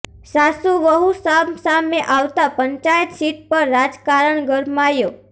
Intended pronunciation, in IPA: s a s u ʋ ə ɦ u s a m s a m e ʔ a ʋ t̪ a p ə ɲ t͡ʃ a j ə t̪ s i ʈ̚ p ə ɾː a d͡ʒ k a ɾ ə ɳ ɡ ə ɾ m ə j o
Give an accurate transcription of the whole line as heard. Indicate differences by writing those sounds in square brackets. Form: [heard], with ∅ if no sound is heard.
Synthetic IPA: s a s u ʋ ə ɦ u s a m s a m e ʔ a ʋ t̪ a p ə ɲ t͡ʃ a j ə t̪ s i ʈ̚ p ə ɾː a d͡ʒ k a ɾ ə ɳ ɡ ə ɾ m [a] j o